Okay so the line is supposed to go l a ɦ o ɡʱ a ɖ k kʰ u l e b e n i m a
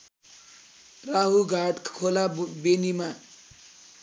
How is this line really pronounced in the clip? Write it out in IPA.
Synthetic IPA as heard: r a ɦ u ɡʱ a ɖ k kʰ o l a b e n i m a